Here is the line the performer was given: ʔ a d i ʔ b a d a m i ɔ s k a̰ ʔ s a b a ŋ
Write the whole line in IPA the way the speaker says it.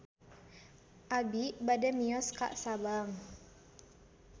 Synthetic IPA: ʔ a b i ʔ b a d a m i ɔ s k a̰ ʔ s a b a ŋ